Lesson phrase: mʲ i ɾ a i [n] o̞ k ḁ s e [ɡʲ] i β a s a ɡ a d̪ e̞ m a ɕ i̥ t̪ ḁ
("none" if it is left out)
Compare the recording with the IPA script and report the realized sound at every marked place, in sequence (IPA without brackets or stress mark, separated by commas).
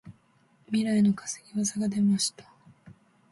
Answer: n, ɡʲ